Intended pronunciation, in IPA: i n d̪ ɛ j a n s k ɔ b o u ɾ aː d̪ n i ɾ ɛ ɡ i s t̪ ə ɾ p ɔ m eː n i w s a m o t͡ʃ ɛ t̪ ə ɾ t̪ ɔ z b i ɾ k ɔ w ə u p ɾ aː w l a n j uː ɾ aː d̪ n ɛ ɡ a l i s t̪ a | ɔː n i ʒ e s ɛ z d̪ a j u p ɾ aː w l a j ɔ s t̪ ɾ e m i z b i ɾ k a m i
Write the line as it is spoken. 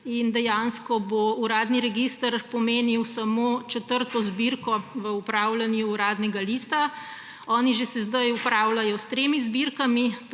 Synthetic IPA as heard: i n d̪ ɛ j a n s k ɔ b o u ɾ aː d̪ n i ɾ ɛ ɡ i s t̪ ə ɾ p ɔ m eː n i w s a m o t͡ʃ ɛ t̪ ə ɾ t̪ ɔ z b i ɾ k ɔ ʋ ə u p ɾ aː w l a n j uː ɾ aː d̪ n ɛ ɡ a l i s t̪ a | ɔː n i ʒ e s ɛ z d̪ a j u p ɾ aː w l a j ɔ s t̪ ɾ e m i z b i ɾ k a m i

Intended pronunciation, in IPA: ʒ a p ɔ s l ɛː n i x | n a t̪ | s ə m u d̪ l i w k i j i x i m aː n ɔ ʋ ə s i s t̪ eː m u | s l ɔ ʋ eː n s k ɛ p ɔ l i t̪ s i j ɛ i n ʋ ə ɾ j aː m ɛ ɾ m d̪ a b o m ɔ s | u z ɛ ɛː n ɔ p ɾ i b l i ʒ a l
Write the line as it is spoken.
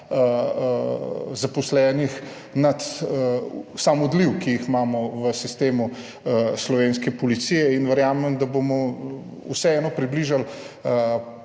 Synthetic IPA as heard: z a p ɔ s l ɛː n i x | n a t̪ | s a m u d̪ l i w k i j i x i m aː m ɔ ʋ ə s i s t̪ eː m u | s l ɔ ʋ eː n s k ɛ p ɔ l i t̪ s i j ɛ i n ʋ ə ɾ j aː m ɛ m d̪ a b o m ɔ | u s ɛ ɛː n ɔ p ɾ i b l i ʒ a l

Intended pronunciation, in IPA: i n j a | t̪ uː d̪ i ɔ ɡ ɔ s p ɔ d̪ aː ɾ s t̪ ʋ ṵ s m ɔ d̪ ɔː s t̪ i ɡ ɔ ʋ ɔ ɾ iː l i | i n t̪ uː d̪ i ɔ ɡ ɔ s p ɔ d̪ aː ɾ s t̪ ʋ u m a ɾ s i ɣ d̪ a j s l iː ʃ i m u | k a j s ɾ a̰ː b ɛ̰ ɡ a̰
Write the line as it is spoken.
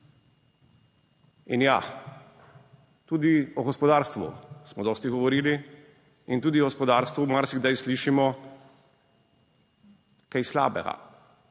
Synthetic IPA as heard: i n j a | t̪ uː d̪ i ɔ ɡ ɔ s p ɔ d̪ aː ɾ s t̪ ʋ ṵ s m ɔ d̪ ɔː s t̪ i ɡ ɔ ʋ ɔ ɾ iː l i | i n t̪ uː d̪ i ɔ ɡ ɔ s p ɔ d̪ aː ɾ s t̪ ʋ u m a ɾ s i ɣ d̪ a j s l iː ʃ i m ɔ | k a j s l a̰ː b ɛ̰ ɡ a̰

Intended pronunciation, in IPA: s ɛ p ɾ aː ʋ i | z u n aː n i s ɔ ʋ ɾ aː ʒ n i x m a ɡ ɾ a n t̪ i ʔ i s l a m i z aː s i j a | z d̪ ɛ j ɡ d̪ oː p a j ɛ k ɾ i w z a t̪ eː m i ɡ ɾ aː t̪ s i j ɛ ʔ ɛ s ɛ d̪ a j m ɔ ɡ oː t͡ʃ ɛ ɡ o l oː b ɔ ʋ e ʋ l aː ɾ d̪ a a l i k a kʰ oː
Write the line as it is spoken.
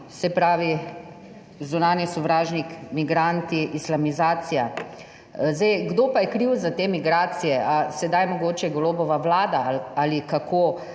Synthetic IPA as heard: s ɛ p ɾ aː ʋ i | z u n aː n i s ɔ ʋ ɾ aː ʒ n i k m i ɡ ɾ a n t̪ i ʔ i s l a m i z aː s i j a | z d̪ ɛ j ɡ d̪ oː p a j ɛ k ɾ i w z a t̪ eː m i ɡ ɾ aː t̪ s i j ɛ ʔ a s ɛ d̪ a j m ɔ ɡ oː t͡ʃ ɛ ɡ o l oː b ɔ ʋ a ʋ l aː d̪ a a l i k a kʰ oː

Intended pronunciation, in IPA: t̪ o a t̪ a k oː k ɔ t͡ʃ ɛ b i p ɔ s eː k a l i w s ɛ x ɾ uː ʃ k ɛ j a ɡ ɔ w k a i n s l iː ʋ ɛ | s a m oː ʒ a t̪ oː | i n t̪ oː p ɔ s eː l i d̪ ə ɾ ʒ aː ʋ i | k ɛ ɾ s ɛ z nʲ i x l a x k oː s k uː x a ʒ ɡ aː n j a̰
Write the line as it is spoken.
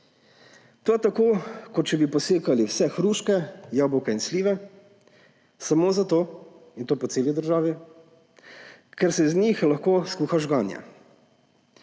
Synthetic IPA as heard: t̪ o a t̪ a k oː k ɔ t͡ʃ ɛ b i p ɔ s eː k a l i w s ɛ x ɾ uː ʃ k ɛ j a b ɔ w k ɛ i n s l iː ʋ ɛ | s a m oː z a t̪ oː | i n t̪ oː p ɔ s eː l i d̪ ə ɾ ʒ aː ʋ i | k ɛ ɾ s ɛ z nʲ i x l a x k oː s k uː x a ʒ ɡ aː n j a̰

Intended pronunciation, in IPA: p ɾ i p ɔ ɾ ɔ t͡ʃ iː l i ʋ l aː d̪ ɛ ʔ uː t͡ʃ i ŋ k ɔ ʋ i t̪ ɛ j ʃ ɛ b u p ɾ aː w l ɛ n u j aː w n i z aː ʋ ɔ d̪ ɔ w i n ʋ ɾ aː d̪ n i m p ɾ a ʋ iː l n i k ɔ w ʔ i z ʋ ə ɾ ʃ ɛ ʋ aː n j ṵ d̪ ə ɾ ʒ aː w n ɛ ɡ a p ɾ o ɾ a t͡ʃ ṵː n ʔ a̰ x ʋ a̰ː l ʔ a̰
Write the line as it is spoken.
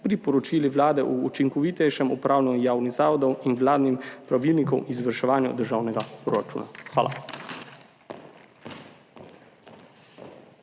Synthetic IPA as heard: p ɾ i p ɔ ɾ ɔ t͡ʃ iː l i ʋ l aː d̪ ɛ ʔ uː t͡ʃ i ŋ k ɔ ʋ i t̪ ɛ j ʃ ɛ m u p ɾ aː w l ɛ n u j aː w n i z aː ʋ ɔ d̪ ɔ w i n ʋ l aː d̪ n i m p ɾ a ʋ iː l n i k ɔ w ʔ i z ʋ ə ɾ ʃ ɛ ʋ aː n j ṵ d̪ ə ɾ ʒ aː w n ɛ ɡ a p ɾ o ɾ a t͡ʃ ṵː n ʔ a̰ x ʋ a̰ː l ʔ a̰

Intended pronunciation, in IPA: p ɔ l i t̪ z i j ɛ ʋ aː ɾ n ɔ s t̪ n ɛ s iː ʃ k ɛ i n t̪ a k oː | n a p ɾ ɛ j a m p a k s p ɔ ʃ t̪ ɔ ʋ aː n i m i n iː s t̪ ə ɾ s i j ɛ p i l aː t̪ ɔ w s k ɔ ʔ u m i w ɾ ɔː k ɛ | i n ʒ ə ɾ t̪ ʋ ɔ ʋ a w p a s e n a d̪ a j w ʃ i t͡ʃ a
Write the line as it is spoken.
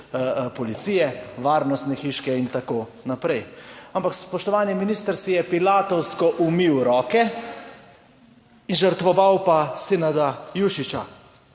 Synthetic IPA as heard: p ɔ l i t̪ s i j ɛ ʋ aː ɾ n ɔ s t̪ n ɛ x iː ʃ k ɛ i n t̪ a k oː | n a p ɾ ɛ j a m p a k s p ɔ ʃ t̪ ɔ ʋ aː n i m i n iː s t̪ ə ɾ s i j ɛ p i l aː t̪ ɔ w s k ɔ ʔ u m i w ɾ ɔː k ɛ | i n ʒ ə ɾ t̪ ʋ ɔ ʋ a w p a s e n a d̪ a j u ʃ i t͡ʃ a

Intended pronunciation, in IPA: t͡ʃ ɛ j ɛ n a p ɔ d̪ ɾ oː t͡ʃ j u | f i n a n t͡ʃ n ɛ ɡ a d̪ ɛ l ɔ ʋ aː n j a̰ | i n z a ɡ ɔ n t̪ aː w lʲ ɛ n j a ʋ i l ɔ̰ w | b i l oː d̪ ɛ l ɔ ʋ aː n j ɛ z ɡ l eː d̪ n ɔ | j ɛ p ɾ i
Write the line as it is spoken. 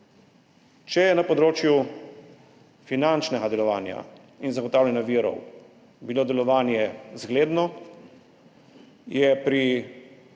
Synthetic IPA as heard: t͡ʃ ɛ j ɛ n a p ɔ d̪ ɾ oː t͡ʃ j u | f i n a n t͡ʃ n ɛ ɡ a d̪ ɛ l ɔ ʋ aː n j a̰ | i n z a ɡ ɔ t̪ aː w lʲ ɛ n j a ʋ i ɾ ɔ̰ w | b i l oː d̪ ɛ l ɔ ʋ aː n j ɛ z ɡ l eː d̪ n ɔ | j ɛ p ɾ i

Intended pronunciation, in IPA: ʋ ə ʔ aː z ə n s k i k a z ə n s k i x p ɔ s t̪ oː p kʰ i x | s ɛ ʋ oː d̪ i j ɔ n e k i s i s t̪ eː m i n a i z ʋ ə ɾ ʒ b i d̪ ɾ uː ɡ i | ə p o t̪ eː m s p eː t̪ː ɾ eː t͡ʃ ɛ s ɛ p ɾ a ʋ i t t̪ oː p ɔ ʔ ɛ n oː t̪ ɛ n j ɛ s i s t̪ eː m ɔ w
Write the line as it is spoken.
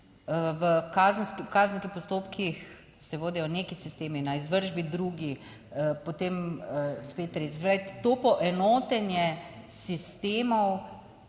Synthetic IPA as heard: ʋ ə k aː z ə n s k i k a z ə n s k i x p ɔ s t̪ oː p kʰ i x | s ɛ ʋ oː d̪ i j ɔ n e k i s i s t̪ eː m i n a i z ʋ ə ɾ ʒ b i d̪ ɾ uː ɡ i | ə p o t̪ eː m s p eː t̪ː ɾ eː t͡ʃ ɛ s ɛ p ɾ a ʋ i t t̪ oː p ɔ ʔ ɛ n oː t̪ ɛ n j ɛ s i s t̪ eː m ɔ w

